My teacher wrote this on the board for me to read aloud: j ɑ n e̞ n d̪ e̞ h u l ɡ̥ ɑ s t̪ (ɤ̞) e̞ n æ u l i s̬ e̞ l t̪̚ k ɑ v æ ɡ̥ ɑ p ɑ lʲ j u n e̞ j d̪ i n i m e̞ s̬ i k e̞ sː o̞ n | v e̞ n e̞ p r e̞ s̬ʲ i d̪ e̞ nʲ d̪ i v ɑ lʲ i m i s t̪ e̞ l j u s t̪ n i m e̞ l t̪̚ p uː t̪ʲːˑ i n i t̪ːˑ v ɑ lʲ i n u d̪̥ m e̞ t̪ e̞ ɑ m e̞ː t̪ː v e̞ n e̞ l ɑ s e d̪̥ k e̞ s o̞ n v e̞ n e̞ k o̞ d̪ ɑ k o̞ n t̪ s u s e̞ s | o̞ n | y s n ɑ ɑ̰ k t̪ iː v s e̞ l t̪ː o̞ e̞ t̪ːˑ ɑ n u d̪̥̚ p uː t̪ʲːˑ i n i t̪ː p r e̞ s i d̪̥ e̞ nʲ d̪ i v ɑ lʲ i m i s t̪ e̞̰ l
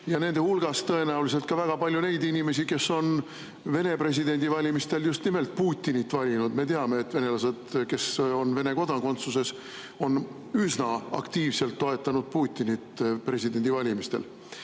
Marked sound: correct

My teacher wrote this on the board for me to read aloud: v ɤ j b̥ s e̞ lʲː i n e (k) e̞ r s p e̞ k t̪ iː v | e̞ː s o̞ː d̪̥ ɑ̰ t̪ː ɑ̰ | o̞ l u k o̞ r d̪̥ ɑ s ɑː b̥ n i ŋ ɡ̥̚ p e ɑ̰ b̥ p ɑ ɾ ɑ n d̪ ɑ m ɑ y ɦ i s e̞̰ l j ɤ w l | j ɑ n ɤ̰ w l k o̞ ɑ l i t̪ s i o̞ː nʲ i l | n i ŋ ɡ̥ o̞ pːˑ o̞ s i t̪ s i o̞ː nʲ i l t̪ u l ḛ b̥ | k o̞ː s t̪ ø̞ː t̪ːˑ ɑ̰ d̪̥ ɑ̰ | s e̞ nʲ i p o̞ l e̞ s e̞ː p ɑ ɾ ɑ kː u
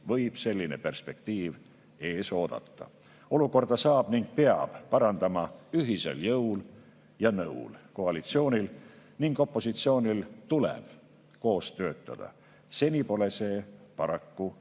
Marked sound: incorrect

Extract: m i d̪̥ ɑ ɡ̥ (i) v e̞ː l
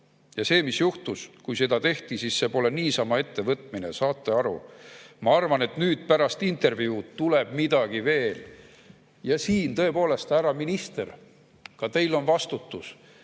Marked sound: correct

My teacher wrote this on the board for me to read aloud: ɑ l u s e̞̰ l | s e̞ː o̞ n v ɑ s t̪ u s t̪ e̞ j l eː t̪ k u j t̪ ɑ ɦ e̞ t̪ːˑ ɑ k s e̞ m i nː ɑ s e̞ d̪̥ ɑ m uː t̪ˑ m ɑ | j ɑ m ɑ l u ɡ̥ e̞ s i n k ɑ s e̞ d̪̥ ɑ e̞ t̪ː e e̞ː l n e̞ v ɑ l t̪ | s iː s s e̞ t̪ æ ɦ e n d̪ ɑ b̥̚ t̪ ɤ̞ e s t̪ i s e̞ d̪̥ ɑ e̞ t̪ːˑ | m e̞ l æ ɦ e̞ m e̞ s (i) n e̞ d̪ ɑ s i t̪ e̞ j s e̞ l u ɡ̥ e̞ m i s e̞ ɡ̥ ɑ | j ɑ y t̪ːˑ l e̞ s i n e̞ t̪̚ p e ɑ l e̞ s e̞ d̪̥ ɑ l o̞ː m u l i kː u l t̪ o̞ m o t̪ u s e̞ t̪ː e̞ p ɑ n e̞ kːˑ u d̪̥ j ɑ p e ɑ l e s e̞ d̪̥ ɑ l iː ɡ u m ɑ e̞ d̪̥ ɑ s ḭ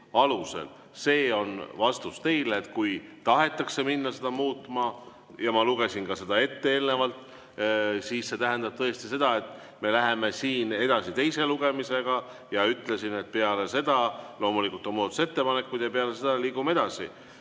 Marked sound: incorrect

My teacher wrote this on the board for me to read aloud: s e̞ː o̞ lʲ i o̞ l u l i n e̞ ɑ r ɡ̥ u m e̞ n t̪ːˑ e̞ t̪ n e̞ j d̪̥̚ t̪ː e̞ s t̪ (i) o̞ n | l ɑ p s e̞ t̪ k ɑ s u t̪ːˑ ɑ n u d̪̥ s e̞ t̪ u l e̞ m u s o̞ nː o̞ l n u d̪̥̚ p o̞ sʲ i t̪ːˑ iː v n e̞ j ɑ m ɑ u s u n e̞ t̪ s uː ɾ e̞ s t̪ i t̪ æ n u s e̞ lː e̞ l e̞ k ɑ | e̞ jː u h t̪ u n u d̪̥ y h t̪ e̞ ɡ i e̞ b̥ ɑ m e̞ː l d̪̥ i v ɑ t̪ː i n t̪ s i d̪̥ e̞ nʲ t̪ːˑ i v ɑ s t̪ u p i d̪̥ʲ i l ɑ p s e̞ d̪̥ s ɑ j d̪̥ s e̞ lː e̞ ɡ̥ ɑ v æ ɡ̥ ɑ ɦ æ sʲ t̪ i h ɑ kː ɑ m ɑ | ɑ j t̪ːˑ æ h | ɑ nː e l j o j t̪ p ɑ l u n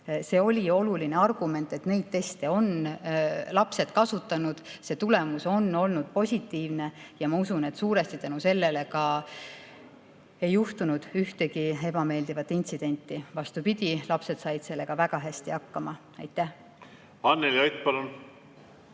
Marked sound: incorrect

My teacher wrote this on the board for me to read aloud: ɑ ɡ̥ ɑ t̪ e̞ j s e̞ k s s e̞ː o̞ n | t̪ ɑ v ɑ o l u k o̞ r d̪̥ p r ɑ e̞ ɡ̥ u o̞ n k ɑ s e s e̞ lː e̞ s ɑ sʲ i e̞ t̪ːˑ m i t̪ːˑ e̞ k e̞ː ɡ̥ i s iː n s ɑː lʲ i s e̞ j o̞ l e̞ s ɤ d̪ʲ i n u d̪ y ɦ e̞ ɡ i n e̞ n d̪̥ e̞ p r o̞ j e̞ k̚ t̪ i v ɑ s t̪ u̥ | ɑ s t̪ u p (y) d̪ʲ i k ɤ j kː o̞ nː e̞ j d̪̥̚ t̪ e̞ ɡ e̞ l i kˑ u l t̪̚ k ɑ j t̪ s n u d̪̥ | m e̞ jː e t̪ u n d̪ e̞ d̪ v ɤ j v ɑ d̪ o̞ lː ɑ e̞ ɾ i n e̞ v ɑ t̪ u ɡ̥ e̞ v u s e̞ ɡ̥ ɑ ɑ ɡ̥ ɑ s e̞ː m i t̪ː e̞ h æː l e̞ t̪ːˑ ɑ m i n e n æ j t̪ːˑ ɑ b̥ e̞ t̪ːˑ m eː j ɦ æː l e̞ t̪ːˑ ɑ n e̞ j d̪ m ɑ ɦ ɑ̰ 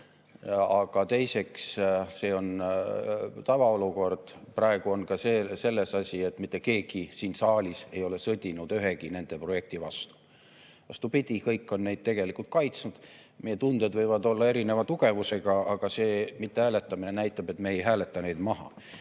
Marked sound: incorrect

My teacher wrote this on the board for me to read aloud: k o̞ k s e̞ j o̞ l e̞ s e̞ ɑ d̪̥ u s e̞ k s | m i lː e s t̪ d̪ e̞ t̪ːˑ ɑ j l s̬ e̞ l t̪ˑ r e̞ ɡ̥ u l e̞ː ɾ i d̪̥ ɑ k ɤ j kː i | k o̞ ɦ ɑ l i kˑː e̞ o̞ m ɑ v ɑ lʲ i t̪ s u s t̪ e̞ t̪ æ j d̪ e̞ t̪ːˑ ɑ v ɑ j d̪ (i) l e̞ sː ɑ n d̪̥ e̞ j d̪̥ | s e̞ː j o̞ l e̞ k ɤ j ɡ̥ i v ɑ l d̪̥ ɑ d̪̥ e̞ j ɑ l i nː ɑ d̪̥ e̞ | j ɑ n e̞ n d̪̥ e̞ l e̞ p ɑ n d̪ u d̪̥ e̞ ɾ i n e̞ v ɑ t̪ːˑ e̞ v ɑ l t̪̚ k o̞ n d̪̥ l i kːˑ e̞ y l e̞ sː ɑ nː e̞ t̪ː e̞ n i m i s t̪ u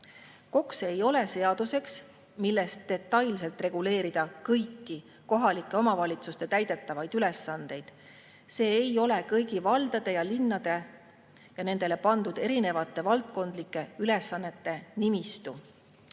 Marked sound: incorrect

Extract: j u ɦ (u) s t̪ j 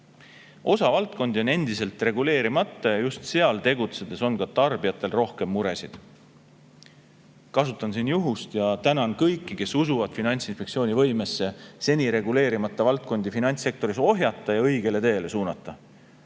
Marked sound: correct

